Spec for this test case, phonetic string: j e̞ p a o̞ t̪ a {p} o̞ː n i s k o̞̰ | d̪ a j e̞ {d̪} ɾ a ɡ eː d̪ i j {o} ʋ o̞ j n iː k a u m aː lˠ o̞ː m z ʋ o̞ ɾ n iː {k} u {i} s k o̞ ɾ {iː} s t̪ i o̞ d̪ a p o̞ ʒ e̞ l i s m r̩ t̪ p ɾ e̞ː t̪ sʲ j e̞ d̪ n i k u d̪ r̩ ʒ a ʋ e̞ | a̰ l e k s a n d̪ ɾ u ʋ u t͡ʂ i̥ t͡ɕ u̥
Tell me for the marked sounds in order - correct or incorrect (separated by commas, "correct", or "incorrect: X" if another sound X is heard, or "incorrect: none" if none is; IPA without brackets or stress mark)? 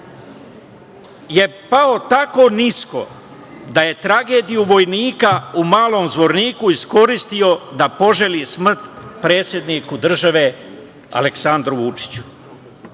incorrect: k, incorrect: t̪, incorrect: u, correct, correct, incorrect: i